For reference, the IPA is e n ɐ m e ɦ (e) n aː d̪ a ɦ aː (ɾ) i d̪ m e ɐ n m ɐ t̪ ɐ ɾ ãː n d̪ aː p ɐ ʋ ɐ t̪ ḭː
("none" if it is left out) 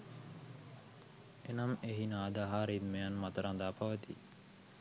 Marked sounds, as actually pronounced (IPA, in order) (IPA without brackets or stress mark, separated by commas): i, ɾ